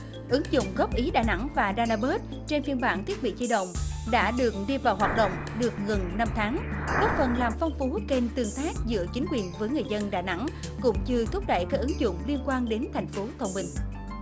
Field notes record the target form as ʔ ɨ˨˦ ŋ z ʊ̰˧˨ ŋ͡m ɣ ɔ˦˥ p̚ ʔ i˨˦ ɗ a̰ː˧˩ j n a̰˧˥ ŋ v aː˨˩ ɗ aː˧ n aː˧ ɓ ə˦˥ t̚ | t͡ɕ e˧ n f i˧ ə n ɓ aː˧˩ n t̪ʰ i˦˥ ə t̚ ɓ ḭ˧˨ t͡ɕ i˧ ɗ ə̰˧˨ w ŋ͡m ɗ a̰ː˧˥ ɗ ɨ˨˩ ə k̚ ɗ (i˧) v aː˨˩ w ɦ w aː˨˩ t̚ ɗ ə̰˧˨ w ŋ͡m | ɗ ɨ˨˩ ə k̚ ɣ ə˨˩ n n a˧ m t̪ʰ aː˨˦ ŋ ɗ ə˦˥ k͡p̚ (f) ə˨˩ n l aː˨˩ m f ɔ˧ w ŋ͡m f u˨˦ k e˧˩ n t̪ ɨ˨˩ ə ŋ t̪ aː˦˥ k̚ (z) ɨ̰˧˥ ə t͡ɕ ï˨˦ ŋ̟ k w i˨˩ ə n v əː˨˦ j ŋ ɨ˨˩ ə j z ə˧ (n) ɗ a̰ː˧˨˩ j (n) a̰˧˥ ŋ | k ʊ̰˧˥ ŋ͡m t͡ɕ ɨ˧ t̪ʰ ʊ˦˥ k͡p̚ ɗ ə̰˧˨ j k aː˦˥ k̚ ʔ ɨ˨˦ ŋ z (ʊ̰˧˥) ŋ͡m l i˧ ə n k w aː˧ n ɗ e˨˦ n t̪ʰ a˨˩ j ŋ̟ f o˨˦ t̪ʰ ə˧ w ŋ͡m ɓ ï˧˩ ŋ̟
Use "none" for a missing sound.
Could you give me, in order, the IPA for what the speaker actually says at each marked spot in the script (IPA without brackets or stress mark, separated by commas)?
i˧, f, z, n, n, ʊ̰˧˨